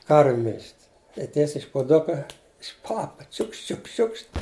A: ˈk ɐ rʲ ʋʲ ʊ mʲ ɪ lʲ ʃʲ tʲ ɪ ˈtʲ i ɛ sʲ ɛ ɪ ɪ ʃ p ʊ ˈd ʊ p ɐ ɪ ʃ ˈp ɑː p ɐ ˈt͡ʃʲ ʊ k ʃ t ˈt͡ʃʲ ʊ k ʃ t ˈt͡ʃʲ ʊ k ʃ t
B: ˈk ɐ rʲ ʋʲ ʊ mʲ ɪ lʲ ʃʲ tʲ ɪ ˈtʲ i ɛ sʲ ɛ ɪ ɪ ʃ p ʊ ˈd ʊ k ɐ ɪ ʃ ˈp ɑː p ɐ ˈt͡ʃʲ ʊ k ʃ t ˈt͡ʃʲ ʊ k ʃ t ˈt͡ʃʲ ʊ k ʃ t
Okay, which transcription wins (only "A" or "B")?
B